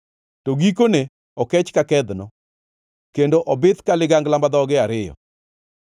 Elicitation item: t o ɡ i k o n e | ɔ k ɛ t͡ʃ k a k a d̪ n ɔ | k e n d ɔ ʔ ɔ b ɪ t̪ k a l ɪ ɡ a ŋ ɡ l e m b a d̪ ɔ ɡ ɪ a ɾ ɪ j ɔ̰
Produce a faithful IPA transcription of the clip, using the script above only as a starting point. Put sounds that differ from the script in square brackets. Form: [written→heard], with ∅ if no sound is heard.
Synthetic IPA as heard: t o ɡ i k o n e | ɔ k ɛ t͡ʃ k a k [a→ɛ] d̪ n ɔ | k e n d [ɔ→o] ʔ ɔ b ɪ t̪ k a l ɪ ɡ a ŋ ɡ l [e→a] m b a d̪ ɔ ɡ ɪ a ɾ ɪ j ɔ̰